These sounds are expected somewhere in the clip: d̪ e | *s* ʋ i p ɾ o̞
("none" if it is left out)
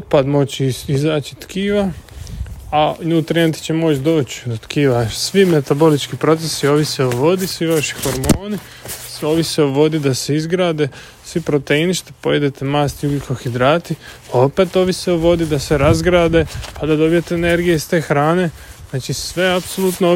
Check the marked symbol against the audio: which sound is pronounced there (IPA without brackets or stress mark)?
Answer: s